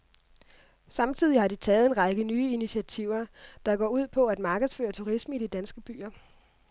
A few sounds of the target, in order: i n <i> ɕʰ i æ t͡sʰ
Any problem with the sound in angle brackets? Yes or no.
no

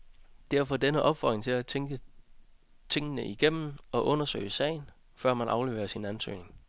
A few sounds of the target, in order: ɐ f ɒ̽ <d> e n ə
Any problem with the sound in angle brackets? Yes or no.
no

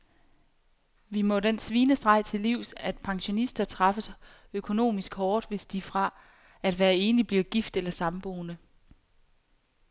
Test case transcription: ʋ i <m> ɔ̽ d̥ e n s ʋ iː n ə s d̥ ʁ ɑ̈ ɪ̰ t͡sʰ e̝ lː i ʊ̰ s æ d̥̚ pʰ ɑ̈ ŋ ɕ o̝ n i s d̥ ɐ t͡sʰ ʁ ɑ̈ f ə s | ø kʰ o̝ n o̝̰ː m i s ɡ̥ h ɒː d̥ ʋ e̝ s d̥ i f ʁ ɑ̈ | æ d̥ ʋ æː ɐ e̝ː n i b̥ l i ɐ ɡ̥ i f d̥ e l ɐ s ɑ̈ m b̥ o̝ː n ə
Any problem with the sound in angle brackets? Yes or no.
no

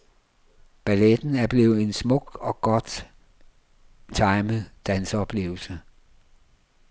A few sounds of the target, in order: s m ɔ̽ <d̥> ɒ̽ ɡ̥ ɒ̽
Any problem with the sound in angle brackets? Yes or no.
yes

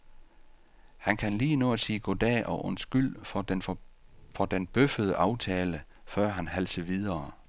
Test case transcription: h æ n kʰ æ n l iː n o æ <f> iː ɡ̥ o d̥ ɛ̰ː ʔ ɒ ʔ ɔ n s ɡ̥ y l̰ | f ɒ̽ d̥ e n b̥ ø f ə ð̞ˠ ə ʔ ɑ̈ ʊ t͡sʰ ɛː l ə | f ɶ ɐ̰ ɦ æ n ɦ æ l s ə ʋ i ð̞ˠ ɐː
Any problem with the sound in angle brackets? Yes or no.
yes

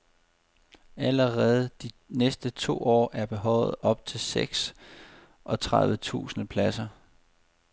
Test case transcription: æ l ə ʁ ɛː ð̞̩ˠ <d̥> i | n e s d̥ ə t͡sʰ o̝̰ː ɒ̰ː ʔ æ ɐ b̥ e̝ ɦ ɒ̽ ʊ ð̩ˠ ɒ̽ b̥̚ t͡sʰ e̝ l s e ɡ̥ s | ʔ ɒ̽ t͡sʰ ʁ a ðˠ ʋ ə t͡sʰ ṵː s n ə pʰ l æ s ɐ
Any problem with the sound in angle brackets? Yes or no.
no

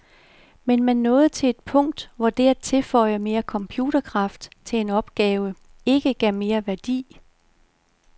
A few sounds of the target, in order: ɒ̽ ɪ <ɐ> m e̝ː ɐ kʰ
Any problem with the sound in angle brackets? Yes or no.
no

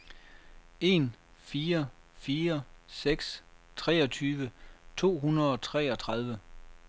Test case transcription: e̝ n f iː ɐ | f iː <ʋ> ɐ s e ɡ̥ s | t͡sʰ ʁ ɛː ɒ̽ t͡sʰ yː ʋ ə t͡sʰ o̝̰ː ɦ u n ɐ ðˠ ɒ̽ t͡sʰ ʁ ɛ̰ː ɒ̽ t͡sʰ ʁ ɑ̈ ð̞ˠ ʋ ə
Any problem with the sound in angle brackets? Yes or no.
yes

